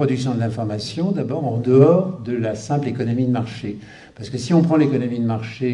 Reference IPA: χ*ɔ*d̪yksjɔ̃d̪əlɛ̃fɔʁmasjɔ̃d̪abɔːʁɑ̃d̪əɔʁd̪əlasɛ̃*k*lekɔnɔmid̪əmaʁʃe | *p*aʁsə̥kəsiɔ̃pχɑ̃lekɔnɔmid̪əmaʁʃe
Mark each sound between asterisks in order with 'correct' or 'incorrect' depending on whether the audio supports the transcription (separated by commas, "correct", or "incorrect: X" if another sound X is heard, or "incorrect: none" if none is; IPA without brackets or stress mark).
correct, incorrect: p, correct